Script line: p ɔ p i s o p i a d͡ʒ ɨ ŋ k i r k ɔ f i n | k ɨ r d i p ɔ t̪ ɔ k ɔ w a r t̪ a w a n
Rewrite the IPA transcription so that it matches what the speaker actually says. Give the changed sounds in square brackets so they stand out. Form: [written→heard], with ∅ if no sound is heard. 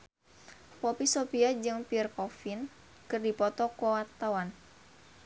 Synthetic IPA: p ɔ p i s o p i a d͡ʒ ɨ ŋ [k→p] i r k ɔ f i n | k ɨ r d i p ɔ t̪ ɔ k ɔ w a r t̪ a w a n